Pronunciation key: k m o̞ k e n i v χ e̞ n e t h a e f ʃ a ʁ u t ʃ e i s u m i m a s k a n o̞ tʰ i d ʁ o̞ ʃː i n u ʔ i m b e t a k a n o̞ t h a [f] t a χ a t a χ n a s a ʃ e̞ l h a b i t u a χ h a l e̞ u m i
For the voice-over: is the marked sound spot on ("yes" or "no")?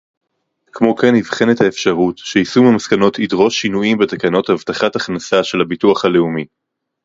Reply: no